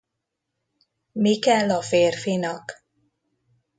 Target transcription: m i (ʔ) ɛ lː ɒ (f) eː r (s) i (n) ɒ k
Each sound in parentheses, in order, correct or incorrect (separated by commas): incorrect, correct, incorrect, correct